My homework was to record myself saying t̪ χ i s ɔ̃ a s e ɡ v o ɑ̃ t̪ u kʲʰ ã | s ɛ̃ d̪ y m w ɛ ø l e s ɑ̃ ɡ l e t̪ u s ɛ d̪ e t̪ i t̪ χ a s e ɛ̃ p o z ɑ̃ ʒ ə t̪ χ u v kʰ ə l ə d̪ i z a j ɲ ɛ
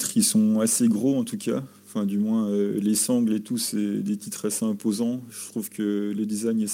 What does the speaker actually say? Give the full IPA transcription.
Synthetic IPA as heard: t̪ χ i s ɔ̃ a s e ɡ ʁ o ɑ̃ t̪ u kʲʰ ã | f ɛ̃ d̪ y m w ɛ̃ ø l e s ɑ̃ ɡ l e t̪ u s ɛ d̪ e t̪ i t̪ χ a s e ɛ̃ p o z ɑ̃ ʒ ə t̪ χ u v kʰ ə l ə d̪ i z a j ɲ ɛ